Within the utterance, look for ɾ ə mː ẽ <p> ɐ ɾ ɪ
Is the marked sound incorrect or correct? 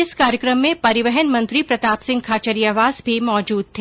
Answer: correct